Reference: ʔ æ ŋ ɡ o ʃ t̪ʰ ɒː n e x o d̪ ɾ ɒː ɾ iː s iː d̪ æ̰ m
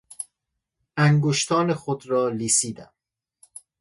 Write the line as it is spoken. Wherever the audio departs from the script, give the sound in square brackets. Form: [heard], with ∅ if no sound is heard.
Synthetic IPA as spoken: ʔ æ ŋ ɡ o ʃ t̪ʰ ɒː n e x o d̪ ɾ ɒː [l] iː s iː d̪ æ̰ m